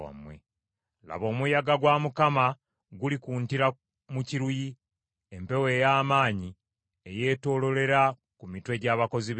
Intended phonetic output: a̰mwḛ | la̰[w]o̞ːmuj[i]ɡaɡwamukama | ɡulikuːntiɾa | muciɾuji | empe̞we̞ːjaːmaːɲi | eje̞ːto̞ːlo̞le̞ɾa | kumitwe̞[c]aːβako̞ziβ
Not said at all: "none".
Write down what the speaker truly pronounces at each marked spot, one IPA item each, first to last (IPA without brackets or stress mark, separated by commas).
β, a, ɟ